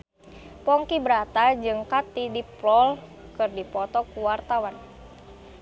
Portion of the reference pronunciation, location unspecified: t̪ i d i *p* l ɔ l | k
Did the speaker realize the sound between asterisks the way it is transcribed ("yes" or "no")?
yes